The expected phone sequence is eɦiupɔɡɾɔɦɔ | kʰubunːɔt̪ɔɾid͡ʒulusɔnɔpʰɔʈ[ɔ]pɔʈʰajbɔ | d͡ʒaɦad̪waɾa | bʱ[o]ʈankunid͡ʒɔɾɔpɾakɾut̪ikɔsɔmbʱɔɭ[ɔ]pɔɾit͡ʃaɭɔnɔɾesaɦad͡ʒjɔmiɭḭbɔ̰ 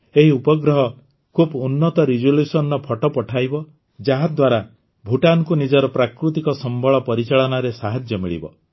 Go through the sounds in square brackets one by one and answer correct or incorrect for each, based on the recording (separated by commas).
correct, incorrect, correct